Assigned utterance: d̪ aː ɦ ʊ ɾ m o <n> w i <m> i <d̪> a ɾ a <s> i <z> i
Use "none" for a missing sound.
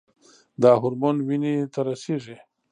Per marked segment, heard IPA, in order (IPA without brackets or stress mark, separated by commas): n, n, t̪, s, ʐ